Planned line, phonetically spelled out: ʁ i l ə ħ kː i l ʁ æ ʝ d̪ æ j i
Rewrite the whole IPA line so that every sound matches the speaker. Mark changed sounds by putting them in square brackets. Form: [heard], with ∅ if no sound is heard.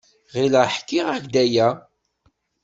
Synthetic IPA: ʁ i l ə ħ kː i [∅] ʁ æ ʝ d̪ æ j [æ]